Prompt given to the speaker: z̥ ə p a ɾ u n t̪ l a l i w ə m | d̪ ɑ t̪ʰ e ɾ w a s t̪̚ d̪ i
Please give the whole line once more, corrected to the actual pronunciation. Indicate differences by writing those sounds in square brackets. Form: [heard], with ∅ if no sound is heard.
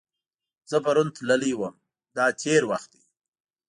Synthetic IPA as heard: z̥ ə p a ɾ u n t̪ l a l i w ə m | d̪ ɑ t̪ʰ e ɾ w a [x] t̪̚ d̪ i